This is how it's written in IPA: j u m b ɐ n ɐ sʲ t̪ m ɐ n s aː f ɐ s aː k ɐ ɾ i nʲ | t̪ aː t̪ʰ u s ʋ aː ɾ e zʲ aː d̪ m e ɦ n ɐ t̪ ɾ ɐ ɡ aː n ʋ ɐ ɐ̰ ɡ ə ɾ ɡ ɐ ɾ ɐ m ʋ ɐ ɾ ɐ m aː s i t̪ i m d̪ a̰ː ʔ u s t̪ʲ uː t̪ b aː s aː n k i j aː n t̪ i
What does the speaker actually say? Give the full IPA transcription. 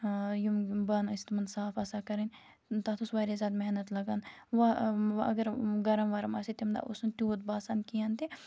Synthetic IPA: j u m b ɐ n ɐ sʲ t̪ m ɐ n s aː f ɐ s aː k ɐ ɾ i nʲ | t̪ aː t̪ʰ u s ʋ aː ɾ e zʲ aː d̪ m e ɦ n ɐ t̪ l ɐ ɡ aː n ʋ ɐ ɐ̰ ɡ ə ɾ ɡ ɐ ɾ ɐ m ʋ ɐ ɾ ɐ m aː s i t̪ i m d̪ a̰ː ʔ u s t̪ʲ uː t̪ b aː s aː n k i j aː n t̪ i

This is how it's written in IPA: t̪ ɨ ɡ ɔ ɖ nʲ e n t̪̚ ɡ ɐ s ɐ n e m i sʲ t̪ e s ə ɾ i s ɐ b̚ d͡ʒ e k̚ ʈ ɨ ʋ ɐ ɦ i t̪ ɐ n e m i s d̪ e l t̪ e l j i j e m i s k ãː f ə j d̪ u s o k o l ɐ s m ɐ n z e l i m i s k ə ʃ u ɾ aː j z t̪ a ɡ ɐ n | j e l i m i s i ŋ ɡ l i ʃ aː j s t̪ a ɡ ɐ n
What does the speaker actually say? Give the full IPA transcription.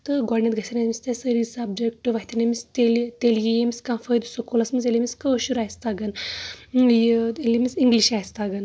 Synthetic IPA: t̪ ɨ ɡ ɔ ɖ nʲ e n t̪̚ ɡ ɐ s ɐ n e m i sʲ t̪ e s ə ɾ i s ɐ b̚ d͡ʒ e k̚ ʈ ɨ ʋ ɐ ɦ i t̪ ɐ n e m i s t̪ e l t̪ e l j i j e m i s k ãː f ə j d̪ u s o k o l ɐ s m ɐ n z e l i m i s k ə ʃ u ɾ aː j s t̪ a ɡ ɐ n | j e l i m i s i ŋ ɡ l i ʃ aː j s t̪ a ɡ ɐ n

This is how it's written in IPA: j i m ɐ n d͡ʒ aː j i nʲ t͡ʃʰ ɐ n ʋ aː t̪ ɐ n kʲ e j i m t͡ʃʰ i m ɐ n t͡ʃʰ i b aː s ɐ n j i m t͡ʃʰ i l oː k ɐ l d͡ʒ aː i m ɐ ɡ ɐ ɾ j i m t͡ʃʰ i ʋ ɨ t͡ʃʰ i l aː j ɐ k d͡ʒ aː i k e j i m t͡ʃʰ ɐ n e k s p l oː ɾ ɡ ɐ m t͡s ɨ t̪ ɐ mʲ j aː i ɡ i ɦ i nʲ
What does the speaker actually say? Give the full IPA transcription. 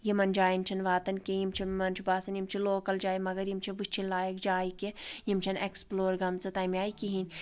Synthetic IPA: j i m ɐ n d͡ʒ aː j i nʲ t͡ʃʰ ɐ n ʋ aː t̪ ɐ n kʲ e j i m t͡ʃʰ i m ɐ n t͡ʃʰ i b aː s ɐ n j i m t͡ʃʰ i l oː k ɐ l d͡ʒ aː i m ɐ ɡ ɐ ɾ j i m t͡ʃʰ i ʋ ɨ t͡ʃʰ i l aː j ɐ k d͡ʒ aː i k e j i m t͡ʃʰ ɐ n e k s p l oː ɾ ɡ ɐ m t͡s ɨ t̪ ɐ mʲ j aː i k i ɦ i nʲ

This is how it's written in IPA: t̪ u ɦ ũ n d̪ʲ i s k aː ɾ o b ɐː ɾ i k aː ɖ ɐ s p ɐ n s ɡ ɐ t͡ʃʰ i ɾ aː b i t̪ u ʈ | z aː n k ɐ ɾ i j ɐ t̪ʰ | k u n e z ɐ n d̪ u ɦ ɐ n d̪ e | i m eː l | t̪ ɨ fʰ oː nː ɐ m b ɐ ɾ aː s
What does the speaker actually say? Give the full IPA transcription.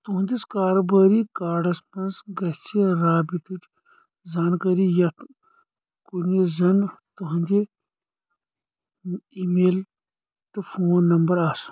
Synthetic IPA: t̪ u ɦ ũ n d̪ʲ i s k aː ɾ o b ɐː ɾ i k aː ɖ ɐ s p ɐ n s ɡ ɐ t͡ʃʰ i ɾ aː b i t̪ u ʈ | z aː n k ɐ ɾ i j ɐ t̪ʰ | k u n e z ɐ n t̪ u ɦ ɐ n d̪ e | i m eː l | t̪ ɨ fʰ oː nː ɐ m b ɐ ɾ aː s

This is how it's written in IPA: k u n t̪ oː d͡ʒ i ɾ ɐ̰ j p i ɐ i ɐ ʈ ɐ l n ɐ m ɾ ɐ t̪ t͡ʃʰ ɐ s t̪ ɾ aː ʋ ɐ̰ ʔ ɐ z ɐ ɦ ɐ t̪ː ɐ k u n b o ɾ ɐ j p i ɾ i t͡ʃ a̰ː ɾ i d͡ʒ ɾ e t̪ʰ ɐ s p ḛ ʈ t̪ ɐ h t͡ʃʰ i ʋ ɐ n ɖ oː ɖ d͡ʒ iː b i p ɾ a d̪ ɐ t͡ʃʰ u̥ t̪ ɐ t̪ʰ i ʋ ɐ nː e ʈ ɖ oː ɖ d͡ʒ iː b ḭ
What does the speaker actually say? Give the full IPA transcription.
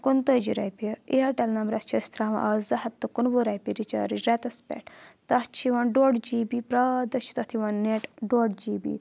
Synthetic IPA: k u n t̪ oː d͡ʒ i ɾ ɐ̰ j p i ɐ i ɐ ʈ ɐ l n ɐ m ɾ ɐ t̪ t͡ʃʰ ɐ s t̪ ɾ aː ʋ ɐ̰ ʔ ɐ z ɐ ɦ ɐ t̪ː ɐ k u n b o ɾ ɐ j p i ɾ i t͡ʃ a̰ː ɾ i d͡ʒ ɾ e t̪ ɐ s p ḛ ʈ t̪ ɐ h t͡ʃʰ i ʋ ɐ n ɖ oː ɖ d͡ʒ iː b i p ɾ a d̪ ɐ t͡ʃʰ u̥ t̪ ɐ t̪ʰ i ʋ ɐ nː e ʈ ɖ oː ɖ d͡ʒ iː b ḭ

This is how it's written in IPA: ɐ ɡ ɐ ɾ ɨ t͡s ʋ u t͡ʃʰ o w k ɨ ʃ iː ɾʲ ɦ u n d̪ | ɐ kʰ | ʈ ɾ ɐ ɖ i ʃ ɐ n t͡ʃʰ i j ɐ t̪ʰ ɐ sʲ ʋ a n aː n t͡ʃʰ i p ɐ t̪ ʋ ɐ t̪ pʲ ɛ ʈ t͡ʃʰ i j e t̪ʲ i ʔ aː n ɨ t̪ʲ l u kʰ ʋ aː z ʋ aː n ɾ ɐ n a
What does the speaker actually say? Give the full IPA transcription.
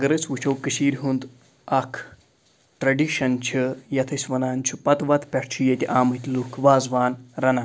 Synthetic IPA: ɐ ɡ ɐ ɾ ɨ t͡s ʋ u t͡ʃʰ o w k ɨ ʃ iː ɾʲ ɦ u n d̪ | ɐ kʰ | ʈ ɾ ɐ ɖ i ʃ ɐ n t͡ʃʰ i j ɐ t̪ʰ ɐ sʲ ʋ ɐ n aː n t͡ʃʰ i p ɐ t̪ ʋ ɐ t̪ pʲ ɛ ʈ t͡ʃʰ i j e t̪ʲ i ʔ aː m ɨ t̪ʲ l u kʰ ʋ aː z ʋ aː n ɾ ɐ n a

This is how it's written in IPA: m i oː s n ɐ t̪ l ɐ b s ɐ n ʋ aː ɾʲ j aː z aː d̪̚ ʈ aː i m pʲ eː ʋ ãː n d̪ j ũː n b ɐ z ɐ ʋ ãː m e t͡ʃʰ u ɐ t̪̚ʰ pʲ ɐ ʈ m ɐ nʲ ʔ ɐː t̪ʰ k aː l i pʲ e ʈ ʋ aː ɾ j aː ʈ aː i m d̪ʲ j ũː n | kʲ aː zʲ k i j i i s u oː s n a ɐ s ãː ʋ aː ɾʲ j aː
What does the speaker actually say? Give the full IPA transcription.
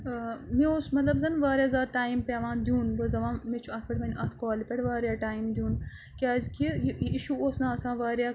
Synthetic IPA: m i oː s m ɐ t̪ l ɐ b z ɐ n ʋ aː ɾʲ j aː z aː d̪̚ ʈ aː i m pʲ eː ʋ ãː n d̪ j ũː n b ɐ z ɐ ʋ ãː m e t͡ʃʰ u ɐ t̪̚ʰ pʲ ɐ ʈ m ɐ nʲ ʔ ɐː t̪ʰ k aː l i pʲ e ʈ ʋ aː ɾ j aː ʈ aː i m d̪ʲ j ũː n | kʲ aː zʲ k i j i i ʃ u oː s n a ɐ s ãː ʋ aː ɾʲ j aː

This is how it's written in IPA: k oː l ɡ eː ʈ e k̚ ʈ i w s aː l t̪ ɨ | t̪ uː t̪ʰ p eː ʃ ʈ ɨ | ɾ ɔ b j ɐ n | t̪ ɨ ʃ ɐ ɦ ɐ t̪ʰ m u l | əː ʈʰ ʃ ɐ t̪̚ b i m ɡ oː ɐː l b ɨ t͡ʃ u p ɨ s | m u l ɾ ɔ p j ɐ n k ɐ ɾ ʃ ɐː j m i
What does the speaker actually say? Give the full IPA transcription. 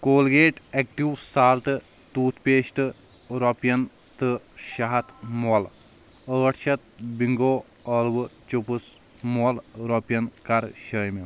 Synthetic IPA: k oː l ɡ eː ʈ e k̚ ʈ i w s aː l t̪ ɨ | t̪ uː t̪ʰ p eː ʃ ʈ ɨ | ɾ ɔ p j ɐ n | t̪ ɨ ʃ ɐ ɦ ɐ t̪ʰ m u l | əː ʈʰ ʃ ɐ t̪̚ b i ŋ ɡ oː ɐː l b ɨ t͡ʃ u p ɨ s | m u l ɾ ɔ p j ɐ n k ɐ ɾ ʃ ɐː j m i

